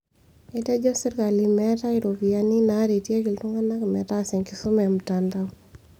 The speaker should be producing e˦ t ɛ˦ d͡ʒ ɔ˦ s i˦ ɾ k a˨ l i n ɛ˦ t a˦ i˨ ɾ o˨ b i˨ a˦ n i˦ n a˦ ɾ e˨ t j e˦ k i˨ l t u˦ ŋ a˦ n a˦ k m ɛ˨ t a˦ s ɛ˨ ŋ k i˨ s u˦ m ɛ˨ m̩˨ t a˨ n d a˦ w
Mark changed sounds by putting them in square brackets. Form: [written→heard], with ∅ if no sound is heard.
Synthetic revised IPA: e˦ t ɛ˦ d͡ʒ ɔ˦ s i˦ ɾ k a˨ l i [n→m] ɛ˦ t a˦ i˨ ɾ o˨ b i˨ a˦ n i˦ n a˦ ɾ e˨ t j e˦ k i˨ l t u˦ ŋ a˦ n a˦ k m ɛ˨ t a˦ s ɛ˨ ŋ k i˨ s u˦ m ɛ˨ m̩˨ t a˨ n d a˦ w

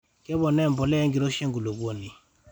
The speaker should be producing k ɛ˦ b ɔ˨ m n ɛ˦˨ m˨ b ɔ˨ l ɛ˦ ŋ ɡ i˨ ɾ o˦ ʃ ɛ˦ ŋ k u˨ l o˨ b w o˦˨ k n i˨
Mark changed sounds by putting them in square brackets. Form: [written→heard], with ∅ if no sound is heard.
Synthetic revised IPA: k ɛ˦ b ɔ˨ [m→∅] n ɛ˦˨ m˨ b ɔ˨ l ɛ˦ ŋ ɡ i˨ ɾ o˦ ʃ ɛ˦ ŋ [k→ɡ] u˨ l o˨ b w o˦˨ [k→∅] n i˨

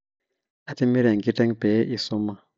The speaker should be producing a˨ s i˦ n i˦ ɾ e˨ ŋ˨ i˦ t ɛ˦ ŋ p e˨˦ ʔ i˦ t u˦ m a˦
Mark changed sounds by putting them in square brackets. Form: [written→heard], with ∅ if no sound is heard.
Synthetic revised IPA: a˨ [s→t] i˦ [n→m] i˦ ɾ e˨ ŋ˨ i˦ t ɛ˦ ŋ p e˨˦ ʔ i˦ [t→s] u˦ m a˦

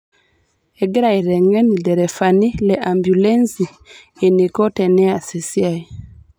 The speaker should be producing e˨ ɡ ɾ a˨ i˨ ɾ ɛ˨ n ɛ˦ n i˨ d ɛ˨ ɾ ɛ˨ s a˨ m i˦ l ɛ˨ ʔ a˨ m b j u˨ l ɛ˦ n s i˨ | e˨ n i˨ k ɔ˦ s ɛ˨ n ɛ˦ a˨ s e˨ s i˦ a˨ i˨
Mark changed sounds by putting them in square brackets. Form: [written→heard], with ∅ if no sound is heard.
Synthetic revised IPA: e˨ ɡ ɾ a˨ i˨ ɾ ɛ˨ [n→ŋ] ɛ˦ n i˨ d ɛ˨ ɾ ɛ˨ [s→f] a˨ [m→n] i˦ l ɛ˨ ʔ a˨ m b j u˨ l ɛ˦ n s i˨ | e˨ n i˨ k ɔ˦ [s→t] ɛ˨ n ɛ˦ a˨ s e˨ s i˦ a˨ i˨

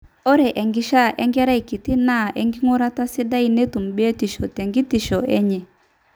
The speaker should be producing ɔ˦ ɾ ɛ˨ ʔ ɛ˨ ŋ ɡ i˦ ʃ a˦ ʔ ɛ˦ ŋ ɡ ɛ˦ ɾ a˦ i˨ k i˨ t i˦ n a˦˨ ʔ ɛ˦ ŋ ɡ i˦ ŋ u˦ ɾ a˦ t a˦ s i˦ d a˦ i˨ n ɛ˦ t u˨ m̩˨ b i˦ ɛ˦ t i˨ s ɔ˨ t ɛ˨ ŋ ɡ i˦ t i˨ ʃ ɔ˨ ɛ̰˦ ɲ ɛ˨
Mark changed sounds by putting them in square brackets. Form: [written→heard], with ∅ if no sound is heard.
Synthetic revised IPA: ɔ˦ ɾ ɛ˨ ʔ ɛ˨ ŋ ɡ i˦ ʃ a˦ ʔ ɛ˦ ŋ ɡ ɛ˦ ɾ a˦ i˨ k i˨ t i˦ n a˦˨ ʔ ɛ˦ ŋ ɡ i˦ ŋ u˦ ɾ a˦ t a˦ s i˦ d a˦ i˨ n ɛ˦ t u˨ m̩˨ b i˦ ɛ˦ t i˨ [s→ʃ] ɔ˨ t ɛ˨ ŋ ɡ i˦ t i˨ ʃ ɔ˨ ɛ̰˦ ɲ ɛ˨

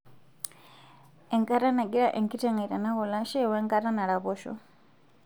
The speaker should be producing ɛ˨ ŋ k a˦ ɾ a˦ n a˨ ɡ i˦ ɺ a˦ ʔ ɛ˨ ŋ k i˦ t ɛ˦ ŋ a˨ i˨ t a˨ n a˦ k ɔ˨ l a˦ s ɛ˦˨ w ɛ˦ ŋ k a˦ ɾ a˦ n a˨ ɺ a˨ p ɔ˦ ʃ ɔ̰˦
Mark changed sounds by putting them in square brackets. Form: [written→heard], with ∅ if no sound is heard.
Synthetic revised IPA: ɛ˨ ŋ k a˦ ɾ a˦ n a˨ ɡ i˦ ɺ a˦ ʔ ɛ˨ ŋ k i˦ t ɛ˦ ŋ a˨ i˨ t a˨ n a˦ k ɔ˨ l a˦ [s→ʃ] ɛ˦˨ w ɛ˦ ŋ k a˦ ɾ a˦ n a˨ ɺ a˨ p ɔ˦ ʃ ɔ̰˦

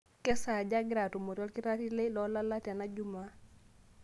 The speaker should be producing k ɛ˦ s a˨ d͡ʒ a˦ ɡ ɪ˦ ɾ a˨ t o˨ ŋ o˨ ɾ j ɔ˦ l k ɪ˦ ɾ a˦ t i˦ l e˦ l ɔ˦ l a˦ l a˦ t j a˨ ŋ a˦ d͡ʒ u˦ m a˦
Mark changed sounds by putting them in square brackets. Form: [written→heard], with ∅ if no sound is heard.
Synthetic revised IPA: k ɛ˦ s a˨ d͡ʒ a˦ ɡ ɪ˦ ɾ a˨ t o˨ [ŋ→m] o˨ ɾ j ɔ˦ l k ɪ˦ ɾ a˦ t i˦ l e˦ l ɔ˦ l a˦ l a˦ t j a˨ [ŋ→n] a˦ d͡ʒ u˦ m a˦

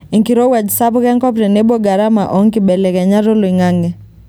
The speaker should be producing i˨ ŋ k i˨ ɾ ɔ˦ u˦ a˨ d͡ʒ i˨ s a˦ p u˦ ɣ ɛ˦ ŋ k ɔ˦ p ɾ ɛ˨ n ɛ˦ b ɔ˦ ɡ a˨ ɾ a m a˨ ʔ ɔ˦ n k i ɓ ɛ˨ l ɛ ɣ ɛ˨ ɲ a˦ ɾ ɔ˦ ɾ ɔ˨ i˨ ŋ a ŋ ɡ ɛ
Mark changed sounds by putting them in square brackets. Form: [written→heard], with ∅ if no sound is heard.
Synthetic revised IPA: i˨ ŋ k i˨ ɾ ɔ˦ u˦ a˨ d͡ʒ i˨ s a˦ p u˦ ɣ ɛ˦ ŋ k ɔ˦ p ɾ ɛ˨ n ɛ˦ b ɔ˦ ɡ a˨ ɾ a m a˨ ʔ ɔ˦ [n→ŋ] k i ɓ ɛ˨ l ɛ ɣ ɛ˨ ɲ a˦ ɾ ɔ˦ [ɾ→l] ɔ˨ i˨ ŋ a ŋ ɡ ɛ

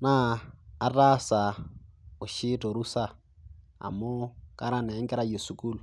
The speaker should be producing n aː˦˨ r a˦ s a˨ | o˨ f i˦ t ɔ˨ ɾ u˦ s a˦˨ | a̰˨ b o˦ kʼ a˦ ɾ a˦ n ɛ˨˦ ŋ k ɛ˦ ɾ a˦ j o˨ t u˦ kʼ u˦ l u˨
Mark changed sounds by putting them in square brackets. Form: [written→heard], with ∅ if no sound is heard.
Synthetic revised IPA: n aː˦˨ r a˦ s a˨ | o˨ [f→ʃ] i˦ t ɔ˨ ɾ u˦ s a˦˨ | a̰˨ [b→m] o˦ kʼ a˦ ɾ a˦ n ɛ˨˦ ŋ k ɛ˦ ɾ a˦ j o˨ [t→s] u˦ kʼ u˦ l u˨

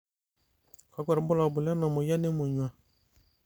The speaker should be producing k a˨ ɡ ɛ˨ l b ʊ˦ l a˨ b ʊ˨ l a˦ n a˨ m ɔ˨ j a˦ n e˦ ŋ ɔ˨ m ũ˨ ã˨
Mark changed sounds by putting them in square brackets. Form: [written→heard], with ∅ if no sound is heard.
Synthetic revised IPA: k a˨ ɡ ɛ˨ [l→ɾ] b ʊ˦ l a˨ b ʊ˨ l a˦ n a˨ m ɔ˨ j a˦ n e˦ [ŋ→m] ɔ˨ [m→ɲ] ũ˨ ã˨

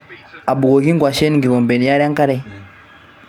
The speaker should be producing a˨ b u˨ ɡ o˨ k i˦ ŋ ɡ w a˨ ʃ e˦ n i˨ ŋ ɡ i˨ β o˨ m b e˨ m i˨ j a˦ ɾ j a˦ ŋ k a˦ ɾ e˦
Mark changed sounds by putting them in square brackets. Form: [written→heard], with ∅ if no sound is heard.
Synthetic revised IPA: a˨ b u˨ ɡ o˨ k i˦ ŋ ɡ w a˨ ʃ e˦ n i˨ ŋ ɡ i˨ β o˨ m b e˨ [m→n] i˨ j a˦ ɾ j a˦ ŋ k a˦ ɾ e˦

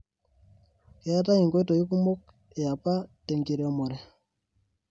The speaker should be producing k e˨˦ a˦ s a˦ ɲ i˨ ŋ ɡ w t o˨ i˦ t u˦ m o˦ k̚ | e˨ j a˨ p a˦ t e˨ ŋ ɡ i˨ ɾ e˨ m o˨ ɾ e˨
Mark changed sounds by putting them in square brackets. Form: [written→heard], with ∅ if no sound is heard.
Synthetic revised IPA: k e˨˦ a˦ [s→t] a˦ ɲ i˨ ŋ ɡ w t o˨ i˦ [t→k] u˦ m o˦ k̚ | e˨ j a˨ p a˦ t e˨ ŋ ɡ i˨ ɾ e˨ m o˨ ɾ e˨

